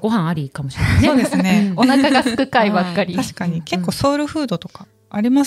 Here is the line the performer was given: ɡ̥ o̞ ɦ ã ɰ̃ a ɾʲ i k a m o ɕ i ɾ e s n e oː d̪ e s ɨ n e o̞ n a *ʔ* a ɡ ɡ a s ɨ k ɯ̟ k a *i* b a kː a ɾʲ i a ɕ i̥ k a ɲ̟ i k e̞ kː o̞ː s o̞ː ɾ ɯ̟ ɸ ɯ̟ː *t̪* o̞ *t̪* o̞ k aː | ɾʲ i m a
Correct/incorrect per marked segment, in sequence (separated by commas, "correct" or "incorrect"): incorrect, correct, incorrect, correct